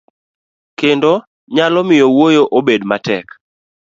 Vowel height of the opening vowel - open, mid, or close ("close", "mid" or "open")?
mid